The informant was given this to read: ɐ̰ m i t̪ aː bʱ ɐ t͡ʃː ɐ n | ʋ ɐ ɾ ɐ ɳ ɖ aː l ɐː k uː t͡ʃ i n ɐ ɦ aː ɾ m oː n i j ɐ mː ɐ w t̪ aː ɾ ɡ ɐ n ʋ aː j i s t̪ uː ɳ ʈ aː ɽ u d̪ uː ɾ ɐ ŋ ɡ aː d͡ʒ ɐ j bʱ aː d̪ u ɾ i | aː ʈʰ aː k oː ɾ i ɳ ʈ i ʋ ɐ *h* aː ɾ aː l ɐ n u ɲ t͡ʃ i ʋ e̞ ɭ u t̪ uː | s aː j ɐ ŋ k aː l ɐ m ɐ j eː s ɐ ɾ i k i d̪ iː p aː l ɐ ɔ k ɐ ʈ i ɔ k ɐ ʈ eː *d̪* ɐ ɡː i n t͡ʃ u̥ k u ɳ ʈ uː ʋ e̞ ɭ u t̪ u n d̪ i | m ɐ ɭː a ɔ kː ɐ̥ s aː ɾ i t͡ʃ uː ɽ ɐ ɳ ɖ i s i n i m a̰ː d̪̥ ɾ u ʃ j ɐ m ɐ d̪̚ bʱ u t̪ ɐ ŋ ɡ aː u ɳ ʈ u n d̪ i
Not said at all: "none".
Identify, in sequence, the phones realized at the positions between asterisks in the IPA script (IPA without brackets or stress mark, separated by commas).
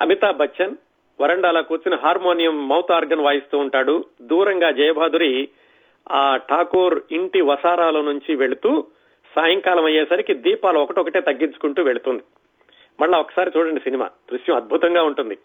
s, t̪